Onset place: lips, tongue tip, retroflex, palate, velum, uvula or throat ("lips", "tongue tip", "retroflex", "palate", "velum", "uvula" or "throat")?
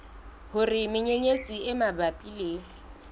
throat